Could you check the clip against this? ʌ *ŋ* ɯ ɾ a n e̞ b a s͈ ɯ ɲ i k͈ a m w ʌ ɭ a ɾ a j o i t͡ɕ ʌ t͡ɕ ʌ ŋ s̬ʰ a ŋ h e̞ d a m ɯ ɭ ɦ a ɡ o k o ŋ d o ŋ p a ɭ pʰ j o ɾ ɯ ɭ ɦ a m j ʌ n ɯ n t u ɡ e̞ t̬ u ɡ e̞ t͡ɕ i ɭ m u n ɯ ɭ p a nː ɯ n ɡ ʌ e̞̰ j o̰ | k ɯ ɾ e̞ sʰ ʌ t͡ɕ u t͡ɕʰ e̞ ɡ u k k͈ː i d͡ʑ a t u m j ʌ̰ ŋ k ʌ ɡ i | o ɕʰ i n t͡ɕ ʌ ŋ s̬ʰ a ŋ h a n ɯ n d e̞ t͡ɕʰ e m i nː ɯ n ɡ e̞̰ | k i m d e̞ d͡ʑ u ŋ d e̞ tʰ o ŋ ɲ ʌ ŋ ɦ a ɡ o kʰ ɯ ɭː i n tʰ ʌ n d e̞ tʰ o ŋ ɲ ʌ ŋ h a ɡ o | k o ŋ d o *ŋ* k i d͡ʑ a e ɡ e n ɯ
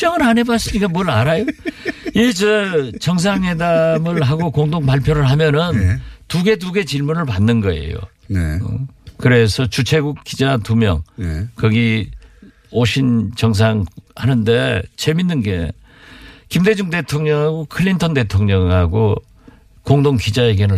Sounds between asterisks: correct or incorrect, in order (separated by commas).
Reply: correct, correct